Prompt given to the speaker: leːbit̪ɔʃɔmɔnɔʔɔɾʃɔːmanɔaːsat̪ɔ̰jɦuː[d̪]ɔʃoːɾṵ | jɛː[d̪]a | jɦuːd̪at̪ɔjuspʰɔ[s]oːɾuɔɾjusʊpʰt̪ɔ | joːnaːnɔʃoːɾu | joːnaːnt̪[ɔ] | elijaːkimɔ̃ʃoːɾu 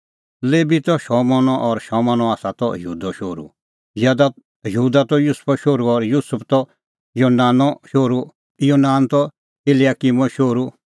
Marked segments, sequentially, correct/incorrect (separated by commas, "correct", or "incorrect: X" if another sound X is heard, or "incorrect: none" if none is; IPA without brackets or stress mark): correct, correct, incorrect: ʃ, correct